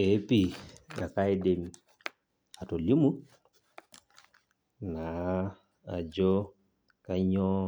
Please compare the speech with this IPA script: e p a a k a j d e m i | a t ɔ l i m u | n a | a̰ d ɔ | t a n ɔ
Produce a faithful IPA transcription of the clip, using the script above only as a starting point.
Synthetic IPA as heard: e p i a k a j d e m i | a t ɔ l i m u | n a | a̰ d͡ʒ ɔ | k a ɲ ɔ